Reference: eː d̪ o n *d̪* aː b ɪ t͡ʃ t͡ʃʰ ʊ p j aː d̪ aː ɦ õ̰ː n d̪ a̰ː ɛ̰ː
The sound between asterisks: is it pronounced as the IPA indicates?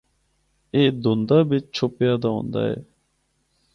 yes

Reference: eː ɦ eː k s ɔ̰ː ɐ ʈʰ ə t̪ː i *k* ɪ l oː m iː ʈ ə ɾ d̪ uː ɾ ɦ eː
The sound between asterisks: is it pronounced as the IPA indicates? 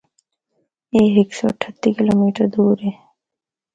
yes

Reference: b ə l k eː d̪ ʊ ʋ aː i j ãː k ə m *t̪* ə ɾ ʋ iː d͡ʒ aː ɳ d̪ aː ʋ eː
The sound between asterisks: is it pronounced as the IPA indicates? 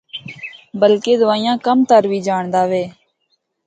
yes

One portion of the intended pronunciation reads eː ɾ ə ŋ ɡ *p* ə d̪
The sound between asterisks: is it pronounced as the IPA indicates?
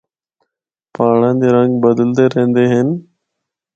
no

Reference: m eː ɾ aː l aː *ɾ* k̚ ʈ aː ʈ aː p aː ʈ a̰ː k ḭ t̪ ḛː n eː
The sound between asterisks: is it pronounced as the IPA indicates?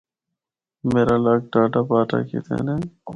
no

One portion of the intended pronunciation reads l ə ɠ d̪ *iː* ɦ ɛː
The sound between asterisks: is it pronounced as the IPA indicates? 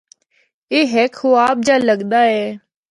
no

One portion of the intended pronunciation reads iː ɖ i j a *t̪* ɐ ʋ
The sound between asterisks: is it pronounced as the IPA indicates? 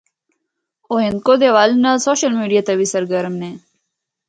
yes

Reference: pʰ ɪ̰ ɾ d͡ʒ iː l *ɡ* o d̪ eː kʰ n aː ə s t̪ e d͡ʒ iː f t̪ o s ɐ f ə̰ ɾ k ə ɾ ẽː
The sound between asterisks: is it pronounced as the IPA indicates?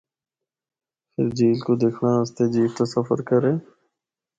no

